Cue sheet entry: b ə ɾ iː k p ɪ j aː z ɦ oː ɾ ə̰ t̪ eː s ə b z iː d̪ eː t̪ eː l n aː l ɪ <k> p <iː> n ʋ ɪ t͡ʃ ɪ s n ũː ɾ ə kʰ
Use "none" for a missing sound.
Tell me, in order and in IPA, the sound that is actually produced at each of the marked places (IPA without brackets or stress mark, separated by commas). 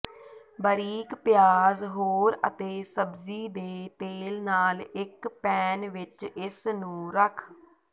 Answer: k, ɛː